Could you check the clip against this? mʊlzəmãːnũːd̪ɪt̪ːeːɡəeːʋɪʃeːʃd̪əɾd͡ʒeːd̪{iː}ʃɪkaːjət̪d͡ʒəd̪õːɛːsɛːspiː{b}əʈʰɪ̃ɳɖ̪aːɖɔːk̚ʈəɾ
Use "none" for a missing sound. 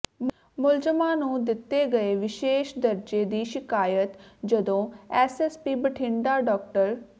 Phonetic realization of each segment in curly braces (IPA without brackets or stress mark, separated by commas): iː, b